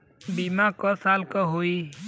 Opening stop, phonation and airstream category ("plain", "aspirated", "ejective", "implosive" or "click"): plain